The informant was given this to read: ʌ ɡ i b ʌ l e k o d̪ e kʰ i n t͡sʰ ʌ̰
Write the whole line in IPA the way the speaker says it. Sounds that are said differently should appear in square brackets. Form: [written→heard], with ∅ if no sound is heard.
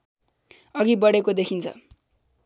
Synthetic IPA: ʌ ɡ i b ʌ [l→ɽ] e k o d̪ e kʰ i n t͡sʰ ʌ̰